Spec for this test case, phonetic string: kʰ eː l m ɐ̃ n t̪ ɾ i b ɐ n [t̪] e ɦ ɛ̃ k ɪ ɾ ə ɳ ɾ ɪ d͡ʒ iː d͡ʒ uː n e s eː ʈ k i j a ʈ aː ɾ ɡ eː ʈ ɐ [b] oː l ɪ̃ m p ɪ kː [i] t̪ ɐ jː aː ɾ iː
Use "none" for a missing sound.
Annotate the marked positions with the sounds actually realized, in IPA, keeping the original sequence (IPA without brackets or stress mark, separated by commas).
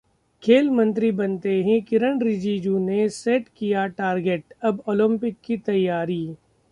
t̪, b, i